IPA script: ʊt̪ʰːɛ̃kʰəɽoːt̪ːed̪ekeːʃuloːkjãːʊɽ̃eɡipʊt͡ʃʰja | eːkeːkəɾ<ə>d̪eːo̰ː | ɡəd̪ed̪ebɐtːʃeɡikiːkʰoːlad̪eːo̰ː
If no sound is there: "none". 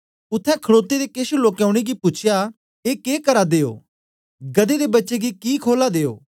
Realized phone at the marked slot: a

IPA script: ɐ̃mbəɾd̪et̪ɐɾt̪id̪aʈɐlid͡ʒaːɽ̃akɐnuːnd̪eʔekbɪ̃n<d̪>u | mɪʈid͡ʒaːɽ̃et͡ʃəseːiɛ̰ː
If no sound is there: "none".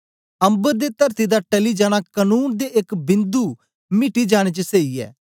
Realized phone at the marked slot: d̪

